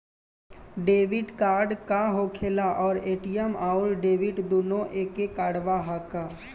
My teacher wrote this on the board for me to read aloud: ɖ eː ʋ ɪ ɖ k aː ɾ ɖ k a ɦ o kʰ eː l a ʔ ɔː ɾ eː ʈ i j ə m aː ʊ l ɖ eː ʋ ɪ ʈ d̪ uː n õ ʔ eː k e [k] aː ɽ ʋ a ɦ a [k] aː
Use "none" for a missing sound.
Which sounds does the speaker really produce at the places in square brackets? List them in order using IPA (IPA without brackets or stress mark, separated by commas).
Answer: k, k